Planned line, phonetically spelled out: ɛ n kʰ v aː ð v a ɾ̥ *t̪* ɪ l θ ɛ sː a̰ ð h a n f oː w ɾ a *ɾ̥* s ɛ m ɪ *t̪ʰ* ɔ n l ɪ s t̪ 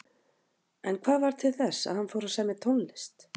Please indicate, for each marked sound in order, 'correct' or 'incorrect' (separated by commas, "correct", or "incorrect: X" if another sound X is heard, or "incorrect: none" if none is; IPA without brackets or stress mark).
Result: incorrect: t̪ʰ, incorrect: none, correct